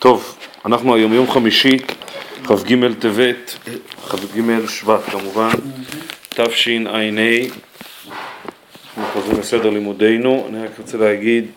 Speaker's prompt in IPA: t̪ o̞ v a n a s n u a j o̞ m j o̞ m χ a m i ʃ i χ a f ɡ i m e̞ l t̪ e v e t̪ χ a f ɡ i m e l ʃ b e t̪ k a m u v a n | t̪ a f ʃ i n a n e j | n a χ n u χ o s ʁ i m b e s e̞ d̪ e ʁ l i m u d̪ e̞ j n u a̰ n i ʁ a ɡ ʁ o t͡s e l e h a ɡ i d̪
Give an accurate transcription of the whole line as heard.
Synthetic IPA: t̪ o̞ v a n a χ n u a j o̞ m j o̞ m χ a m i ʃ i χ a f ɡ i m e̞ l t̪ e v e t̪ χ a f ɡ i m e l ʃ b a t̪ k a m u v a n | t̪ a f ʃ i n a n e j | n a χ n u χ o z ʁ i m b e s e̞ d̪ e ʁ l i m u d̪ e̞ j n u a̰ n i ʁ a k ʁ o t͡s e l e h a ɡ i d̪